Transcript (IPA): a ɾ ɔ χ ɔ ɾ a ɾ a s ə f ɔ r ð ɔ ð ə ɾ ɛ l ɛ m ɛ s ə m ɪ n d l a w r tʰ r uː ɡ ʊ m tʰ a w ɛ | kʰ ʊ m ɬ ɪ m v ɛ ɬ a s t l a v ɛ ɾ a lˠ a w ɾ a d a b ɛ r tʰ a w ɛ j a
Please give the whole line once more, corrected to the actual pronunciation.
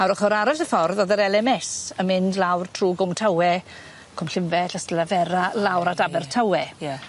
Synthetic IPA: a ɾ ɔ χ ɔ ɾ a ɾ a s ə f ɔ r ð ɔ ð ə ɾ ɛ l ɛ m ɛ s ə m ɪ n d l a w r tʰ r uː ɡ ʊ m tʰ a w ɛ | kʰ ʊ m ɬ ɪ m v ɛ ɬ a s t l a v ɛ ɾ a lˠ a w ɾ a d a b ɛ r tʰ a w ɛ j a